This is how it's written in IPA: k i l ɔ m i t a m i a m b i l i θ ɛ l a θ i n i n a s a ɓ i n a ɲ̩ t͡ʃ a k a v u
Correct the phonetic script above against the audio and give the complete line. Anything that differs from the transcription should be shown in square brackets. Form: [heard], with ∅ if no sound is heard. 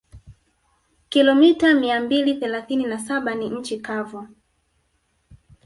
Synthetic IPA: k i l ɔ m i t a m i a m b i l i θ ɛ l a θ i n i n a s a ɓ [a] n [i] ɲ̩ t͡ʃ [i] k a v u